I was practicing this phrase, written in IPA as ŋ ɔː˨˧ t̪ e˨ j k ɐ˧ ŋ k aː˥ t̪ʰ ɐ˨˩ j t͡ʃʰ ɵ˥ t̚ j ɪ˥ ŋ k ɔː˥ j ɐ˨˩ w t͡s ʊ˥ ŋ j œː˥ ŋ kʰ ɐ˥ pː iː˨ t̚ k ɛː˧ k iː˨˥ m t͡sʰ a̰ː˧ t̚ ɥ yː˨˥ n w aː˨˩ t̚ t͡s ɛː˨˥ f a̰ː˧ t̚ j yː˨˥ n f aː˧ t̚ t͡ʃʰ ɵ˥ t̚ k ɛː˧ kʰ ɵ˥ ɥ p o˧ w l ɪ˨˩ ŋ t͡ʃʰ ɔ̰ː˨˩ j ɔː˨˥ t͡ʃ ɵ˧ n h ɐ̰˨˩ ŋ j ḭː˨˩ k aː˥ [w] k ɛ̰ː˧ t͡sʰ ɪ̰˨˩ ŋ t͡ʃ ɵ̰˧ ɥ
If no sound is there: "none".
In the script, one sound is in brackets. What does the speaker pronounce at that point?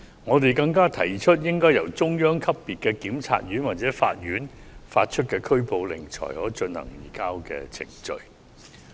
w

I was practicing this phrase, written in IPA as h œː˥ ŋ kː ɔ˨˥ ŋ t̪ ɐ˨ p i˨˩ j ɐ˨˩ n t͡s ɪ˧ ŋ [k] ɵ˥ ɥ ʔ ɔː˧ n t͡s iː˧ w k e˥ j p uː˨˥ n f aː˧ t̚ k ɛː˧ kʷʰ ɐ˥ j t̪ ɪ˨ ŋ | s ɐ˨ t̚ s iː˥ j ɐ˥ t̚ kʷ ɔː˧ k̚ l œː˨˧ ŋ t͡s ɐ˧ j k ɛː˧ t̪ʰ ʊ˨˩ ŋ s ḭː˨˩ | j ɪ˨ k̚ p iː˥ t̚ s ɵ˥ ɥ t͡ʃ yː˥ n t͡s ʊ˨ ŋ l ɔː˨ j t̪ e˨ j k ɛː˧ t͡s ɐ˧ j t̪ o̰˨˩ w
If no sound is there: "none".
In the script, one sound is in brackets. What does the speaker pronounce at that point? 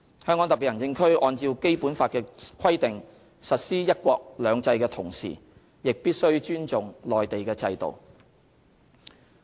kʰ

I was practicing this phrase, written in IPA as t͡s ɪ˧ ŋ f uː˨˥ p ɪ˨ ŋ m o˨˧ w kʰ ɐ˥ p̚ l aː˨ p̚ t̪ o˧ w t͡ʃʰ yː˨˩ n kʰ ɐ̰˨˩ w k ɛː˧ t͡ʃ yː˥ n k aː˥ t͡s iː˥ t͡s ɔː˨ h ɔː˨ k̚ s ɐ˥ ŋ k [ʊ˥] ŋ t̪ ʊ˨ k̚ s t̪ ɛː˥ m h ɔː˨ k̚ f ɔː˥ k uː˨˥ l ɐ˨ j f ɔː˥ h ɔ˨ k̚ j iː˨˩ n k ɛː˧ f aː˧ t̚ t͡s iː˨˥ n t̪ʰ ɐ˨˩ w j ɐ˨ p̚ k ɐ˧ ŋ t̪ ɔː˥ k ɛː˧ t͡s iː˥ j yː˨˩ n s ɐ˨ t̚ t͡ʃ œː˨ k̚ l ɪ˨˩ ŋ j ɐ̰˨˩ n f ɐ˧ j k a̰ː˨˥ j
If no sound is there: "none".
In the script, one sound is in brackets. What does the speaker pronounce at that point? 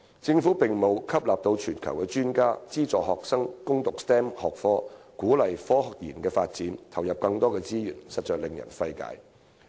ʊ˥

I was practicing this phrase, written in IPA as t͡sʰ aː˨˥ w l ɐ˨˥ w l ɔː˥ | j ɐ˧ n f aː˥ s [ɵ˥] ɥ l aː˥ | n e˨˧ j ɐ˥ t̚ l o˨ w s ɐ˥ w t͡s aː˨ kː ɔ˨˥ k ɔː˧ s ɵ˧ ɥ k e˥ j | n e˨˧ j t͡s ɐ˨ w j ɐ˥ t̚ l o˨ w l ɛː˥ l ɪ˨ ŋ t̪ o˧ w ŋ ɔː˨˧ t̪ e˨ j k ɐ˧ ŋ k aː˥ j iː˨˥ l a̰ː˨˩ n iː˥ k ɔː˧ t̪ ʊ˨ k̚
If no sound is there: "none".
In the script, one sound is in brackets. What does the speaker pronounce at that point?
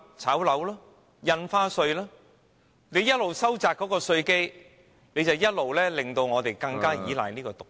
ɵ˧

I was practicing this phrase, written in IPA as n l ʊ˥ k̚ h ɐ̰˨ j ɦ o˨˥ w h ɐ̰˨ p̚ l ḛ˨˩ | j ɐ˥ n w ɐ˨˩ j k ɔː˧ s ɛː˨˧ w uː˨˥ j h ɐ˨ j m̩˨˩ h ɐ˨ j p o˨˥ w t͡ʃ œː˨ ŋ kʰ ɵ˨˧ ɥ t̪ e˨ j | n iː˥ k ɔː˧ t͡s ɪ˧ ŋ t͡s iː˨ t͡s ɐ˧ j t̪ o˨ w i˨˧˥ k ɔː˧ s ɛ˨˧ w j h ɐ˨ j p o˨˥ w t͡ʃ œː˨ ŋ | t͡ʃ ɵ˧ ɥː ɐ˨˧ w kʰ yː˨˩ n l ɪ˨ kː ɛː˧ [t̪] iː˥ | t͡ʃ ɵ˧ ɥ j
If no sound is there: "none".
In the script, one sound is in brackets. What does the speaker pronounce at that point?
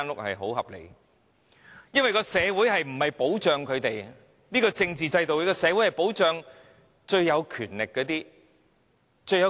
t̪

